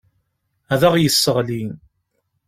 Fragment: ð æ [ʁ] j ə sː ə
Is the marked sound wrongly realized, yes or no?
no